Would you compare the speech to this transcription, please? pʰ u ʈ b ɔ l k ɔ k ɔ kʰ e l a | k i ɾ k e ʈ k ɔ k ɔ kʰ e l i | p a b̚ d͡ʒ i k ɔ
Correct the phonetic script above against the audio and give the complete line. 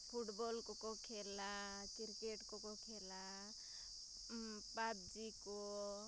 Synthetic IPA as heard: pʰ u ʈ b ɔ l k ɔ k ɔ kʰ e l a | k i ɾ k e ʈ k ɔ k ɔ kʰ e l a | p a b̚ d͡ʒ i k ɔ